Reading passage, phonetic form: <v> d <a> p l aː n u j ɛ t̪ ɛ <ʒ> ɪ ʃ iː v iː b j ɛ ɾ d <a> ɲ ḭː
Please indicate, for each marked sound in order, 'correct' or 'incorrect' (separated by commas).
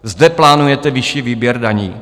incorrect, incorrect, incorrect, correct